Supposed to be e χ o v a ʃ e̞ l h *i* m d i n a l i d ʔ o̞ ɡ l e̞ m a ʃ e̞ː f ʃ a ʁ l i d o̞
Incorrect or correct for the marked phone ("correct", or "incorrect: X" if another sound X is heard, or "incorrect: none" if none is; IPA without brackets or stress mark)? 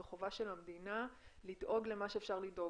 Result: incorrect: a